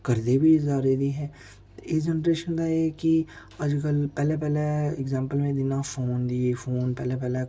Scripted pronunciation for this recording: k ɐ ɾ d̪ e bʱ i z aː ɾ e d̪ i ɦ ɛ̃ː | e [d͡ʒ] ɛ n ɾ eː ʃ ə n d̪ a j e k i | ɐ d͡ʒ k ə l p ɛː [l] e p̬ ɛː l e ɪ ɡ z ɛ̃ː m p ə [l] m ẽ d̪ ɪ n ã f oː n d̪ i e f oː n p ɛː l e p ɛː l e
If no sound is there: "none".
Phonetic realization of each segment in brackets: d͡ʒ, l, l

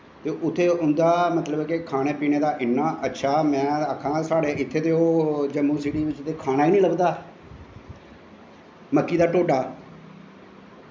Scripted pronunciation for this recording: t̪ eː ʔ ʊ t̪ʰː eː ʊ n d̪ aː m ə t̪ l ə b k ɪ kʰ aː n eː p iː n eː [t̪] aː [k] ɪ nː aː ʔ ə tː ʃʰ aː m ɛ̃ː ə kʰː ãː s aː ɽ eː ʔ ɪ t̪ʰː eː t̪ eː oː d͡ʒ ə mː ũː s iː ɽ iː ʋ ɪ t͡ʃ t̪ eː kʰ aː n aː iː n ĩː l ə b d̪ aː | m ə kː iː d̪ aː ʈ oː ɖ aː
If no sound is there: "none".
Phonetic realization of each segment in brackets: d̪, ʔ

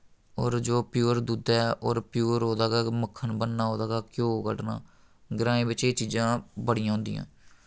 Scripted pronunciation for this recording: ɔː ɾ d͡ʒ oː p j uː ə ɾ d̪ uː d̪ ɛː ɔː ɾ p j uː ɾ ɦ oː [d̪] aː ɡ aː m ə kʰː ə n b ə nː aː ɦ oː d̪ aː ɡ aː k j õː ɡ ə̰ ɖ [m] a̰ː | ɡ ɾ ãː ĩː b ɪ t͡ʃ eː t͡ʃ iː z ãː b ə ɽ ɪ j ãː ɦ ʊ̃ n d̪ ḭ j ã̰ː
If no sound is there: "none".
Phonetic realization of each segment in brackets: d̪, n

